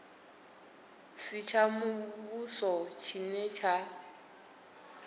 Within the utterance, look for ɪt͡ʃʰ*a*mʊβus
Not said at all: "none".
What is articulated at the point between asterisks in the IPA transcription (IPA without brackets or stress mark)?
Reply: a